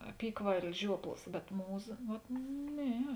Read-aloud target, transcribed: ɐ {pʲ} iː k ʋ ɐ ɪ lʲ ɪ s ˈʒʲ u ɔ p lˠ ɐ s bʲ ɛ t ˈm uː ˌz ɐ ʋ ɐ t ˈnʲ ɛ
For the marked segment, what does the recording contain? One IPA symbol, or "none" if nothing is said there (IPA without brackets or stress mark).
pʲ